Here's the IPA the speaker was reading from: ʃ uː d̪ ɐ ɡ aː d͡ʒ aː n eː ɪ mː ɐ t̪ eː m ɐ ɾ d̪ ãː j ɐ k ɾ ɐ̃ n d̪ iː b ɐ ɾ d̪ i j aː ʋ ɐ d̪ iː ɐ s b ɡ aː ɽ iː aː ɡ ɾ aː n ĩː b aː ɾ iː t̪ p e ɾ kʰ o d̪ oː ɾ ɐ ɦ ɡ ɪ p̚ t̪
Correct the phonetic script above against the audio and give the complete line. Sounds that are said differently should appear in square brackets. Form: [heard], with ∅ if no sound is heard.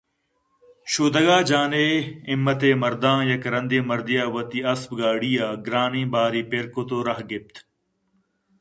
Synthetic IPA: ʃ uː d̪ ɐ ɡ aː d͡ʒ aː n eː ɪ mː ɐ t̪ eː m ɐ ɾ d̪ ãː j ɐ k ɾ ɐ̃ n d̪ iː [m] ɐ ɾ d̪ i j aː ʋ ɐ [t̪] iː ɐ s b ɡ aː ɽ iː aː ɡ ɾ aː n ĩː b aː ɾ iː [∅] p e ɾ [k] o [t̪] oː ɾ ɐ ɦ ɡ ɪ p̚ t̪